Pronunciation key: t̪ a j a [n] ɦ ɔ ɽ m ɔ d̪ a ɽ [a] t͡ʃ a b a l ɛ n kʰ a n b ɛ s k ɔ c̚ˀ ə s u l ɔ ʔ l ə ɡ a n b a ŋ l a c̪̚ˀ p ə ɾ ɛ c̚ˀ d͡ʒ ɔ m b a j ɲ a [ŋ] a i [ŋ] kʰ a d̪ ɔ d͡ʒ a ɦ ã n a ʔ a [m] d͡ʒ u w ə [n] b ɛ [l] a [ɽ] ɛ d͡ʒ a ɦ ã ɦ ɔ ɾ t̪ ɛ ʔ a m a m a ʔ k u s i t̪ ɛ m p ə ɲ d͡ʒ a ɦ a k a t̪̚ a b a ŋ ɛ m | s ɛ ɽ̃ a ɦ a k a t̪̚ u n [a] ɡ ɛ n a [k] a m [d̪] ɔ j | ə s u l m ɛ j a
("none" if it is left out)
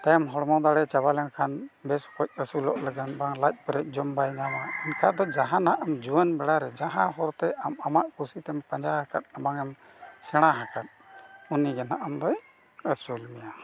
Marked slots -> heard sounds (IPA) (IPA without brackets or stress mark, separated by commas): m, ɛ, m, n, m, n, ɽ, ɾ, i, ʔ, d̪